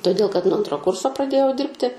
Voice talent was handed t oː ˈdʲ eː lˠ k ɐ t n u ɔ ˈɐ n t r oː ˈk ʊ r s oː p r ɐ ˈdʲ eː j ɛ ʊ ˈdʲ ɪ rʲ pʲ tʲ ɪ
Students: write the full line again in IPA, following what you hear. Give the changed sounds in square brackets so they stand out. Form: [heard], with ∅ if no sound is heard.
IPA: t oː ˈdʲ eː lˠ k ɐ t n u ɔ ˈɐ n t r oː ˈk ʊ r s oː p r ɐ ˈdʲ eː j ɛ ʊ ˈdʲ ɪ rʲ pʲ tʲ ɪ